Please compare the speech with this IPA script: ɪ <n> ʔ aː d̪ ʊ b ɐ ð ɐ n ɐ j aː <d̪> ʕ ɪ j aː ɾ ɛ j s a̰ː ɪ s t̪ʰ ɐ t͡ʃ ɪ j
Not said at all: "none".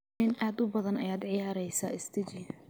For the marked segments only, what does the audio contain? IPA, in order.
n, d̪

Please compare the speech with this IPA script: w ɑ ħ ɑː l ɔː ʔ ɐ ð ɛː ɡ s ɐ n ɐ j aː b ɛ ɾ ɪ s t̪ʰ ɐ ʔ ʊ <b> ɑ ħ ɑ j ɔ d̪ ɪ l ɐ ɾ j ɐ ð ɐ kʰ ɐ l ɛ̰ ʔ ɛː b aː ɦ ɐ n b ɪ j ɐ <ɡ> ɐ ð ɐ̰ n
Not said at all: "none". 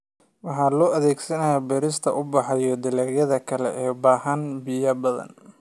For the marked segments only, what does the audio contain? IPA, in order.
b, b

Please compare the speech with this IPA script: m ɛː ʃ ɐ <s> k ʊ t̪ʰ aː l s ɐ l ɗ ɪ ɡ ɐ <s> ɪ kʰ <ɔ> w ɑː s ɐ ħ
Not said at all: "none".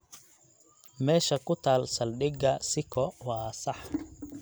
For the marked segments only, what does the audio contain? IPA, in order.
none, s, ɔ

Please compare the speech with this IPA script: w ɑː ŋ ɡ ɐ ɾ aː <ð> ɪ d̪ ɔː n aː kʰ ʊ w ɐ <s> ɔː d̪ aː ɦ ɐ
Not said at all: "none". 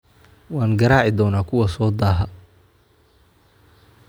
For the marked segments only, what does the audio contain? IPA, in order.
ʕ, s

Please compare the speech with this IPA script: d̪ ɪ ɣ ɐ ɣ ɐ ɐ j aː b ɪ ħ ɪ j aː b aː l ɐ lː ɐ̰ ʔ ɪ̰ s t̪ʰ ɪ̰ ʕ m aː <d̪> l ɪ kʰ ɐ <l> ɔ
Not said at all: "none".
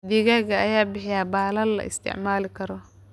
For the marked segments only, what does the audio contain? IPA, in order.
none, ɾ

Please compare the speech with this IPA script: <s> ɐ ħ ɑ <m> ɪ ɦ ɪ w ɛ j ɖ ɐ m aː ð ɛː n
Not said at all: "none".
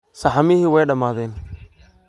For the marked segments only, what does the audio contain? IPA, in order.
s, m

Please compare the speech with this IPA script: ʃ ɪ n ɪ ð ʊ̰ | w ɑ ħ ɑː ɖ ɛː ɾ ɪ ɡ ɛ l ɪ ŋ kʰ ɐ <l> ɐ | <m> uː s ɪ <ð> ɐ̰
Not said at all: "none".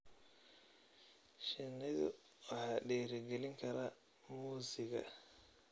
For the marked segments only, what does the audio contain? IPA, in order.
ɾ, m, ɣ

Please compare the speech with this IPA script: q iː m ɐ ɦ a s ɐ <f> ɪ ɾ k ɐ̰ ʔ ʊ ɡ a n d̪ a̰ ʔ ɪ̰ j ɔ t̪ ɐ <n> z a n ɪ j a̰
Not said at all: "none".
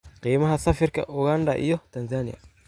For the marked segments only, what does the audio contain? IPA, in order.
f, n

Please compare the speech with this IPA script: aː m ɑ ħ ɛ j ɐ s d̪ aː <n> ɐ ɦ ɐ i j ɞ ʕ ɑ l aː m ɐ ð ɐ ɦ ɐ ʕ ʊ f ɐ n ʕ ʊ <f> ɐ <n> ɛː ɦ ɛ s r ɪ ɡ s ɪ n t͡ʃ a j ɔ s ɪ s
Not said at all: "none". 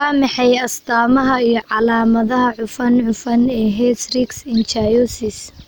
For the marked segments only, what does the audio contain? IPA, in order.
m, f, n

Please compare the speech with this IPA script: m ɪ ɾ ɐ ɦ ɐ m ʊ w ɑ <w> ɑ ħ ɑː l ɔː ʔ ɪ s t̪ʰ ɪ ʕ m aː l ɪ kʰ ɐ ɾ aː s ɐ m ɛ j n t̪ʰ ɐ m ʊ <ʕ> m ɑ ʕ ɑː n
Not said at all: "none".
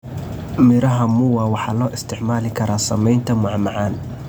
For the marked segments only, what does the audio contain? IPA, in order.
w, ʕ

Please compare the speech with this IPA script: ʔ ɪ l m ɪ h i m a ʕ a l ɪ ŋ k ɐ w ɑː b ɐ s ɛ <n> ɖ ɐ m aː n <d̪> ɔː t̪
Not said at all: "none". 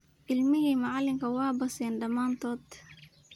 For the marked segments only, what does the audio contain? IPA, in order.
n, t̪

